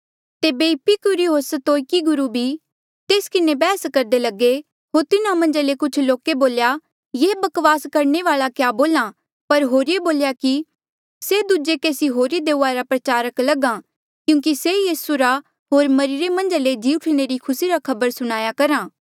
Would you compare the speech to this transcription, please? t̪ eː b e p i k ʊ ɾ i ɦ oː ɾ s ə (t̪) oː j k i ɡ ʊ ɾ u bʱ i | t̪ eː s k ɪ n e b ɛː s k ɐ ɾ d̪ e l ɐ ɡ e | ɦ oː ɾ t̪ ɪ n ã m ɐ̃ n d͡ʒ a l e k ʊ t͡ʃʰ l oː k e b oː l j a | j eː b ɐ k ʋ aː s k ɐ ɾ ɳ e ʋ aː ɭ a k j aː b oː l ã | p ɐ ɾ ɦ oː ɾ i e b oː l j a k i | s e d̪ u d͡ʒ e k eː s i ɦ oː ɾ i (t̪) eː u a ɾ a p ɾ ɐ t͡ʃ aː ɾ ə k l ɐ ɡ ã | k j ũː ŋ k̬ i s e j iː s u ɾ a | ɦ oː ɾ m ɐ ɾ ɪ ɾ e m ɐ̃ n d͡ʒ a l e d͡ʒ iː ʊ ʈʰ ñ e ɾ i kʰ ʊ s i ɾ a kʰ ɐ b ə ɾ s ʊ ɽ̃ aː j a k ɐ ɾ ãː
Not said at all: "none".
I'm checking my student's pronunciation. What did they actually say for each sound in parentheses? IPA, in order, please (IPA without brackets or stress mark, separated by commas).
t̪, d̪